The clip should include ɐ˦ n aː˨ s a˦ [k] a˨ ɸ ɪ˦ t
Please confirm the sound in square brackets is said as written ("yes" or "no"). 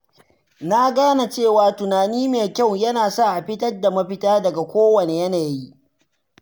no